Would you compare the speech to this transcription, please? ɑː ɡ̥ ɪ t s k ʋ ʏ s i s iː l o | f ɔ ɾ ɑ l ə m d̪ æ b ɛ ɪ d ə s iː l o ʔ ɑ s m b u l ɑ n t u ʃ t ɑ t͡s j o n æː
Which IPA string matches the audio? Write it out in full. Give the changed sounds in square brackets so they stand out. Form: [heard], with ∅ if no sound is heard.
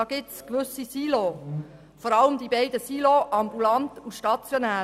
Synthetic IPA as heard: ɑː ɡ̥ ɪ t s k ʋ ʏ s i s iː l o | f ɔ ɾ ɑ l ə m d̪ [i] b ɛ ɪ d ə s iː l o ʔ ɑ [∅] m b u l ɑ n t u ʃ t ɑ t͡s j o n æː